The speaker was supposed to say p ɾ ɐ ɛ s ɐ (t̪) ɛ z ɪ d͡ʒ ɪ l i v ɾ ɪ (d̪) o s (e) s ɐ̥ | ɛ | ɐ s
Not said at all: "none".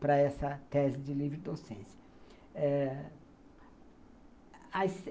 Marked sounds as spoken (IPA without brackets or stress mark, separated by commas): t̪, d̪, ẽ